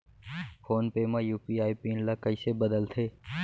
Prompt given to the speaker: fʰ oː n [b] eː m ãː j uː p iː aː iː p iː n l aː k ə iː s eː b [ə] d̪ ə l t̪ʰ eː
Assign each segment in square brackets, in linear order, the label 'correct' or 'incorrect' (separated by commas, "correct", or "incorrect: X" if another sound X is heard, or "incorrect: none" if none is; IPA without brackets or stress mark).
incorrect: p, correct